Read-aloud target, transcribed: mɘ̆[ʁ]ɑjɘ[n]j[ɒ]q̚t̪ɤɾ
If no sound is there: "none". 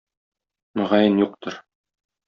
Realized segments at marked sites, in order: ʁ, n, u

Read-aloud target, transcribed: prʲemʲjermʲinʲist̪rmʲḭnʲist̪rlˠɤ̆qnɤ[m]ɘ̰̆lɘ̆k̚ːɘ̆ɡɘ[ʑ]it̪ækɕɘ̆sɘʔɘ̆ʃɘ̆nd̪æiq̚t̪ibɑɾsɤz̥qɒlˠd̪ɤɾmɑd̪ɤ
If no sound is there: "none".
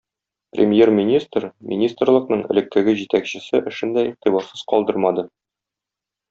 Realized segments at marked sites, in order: ɴ, ʑ

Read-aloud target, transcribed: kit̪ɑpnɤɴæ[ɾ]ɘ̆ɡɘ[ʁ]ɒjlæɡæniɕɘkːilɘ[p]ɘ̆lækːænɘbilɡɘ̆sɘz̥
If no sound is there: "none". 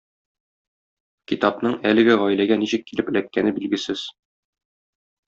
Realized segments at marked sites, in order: l, ʁ, p

